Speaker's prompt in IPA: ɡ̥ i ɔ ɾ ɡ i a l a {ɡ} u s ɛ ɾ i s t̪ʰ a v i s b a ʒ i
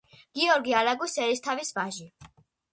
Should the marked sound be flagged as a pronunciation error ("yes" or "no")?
no